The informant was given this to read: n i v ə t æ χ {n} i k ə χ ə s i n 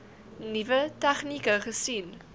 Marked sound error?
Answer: no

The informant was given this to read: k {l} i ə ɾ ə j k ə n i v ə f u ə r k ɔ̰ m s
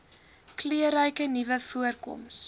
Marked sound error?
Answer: no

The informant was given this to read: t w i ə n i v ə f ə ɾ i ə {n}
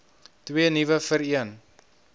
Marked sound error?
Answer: no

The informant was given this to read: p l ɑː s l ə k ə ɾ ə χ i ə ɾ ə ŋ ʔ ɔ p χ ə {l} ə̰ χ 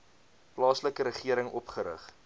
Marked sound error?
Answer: yes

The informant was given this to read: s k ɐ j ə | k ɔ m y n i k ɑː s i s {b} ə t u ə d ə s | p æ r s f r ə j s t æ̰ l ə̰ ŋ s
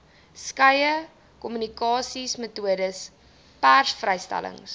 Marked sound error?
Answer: yes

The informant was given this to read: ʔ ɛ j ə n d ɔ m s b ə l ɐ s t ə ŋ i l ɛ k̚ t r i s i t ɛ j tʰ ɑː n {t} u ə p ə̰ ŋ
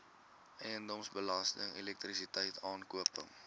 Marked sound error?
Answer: yes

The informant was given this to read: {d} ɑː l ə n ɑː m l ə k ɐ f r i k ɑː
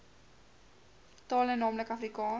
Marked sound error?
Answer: yes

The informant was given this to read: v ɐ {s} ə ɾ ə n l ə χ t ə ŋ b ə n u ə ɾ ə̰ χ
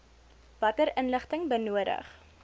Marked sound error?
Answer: yes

